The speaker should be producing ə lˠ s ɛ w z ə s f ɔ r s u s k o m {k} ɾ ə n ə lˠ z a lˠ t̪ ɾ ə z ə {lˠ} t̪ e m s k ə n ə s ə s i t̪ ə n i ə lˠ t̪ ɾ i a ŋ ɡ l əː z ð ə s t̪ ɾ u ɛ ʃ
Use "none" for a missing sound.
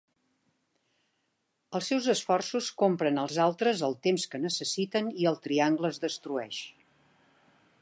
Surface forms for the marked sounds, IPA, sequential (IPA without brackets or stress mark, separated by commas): p, lˠ